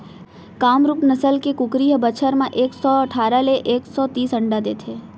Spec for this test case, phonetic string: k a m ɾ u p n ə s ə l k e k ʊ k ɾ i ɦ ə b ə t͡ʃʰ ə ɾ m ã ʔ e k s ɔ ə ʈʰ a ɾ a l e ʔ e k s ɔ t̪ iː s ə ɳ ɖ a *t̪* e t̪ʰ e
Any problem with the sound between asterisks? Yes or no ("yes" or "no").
yes